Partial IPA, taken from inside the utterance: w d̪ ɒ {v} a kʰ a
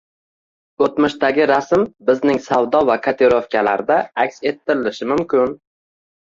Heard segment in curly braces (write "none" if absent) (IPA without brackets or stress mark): v